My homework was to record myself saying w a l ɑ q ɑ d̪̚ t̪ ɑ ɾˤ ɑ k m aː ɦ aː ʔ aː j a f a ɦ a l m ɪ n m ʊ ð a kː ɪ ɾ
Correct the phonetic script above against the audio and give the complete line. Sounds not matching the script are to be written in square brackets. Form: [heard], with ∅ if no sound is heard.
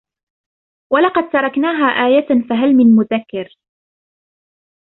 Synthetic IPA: w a l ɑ q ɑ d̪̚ t̪ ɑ ɾˤ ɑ k [n] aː ɦ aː ʔ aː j a f a ɦ a l m ɪ n m ʊ ð a kː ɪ ɾ

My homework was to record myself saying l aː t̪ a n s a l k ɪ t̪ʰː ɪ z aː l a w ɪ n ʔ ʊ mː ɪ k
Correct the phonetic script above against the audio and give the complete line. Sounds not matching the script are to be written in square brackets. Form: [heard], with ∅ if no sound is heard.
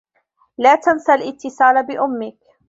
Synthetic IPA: l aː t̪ a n s a l [ʔ] ɪ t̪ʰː ɪ [s] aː l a [b] ɪ [∅] ʔ ʊ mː ɪ k

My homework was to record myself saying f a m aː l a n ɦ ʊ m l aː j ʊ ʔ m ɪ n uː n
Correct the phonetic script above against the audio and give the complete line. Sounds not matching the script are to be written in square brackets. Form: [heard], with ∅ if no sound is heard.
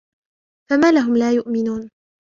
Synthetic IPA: f a m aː l a [∅] ɦ ʊ m l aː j ʊ ʔ m ɪ n uː n

